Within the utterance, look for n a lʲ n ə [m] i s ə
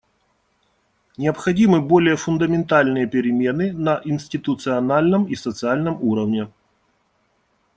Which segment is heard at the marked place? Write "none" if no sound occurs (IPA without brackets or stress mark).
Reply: m